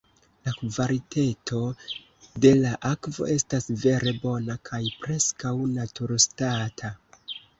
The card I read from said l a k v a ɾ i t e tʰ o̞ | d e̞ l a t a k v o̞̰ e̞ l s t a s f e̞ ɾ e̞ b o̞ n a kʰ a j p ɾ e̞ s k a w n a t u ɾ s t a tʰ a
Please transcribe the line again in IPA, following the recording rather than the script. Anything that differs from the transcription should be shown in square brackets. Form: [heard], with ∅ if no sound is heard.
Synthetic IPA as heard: l a k v a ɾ i t e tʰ o̞ | d e̞ l a [ʔ] a k v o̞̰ e̞ [∅] s t a s [v] e̞ ɾ e̞ b o̞ n a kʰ a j p ɾ e̞ s k a w n a t u ɾ s t a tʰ a